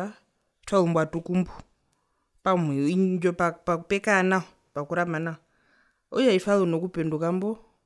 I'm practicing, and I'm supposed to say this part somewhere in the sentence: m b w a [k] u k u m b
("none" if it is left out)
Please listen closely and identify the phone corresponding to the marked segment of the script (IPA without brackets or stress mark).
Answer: t